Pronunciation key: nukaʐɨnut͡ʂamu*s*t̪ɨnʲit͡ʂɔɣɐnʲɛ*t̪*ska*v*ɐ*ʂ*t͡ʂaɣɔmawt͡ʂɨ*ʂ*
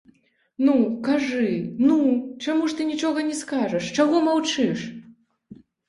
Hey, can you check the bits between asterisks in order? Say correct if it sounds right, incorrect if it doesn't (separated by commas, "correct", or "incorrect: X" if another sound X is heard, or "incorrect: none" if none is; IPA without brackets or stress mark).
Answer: incorrect: ʂ, incorrect: none, incorrect: ʐ, correct, correct